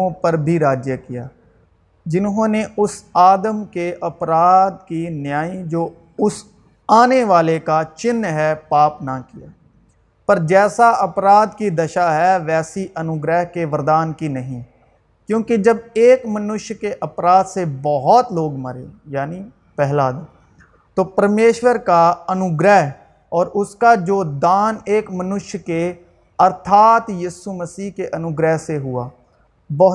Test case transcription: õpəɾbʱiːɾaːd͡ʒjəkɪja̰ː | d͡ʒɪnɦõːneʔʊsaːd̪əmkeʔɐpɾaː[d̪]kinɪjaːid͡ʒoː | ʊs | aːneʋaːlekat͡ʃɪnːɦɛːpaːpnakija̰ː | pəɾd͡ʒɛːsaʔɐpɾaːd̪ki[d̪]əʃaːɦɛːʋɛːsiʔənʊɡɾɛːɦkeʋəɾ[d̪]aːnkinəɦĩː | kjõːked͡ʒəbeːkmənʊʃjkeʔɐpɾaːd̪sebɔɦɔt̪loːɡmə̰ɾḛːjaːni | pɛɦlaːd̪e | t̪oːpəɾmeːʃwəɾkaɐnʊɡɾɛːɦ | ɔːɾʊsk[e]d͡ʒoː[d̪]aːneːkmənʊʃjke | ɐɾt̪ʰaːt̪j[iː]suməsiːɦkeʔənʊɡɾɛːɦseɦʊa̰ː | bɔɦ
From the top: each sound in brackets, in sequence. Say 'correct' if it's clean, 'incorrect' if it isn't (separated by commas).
correct, correct, correct, incorrect, correct, correct